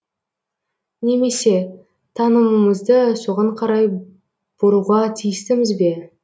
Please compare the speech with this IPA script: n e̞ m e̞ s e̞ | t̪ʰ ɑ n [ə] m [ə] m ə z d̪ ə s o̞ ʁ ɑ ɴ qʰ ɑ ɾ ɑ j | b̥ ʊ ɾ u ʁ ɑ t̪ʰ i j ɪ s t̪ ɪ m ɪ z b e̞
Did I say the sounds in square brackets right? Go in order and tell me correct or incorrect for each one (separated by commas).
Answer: correct, correct